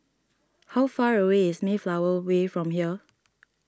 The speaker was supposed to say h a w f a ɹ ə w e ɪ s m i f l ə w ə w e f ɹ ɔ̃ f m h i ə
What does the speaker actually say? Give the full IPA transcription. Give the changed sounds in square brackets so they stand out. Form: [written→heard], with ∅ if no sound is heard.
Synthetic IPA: h a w f a ɹ ə w e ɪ s m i f l [ə→a] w ə w e f ɹ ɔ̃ [f→∅] m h i ə